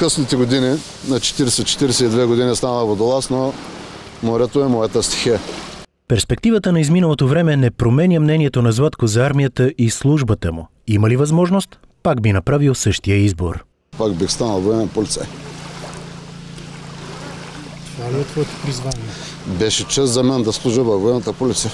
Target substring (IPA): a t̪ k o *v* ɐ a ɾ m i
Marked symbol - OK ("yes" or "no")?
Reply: no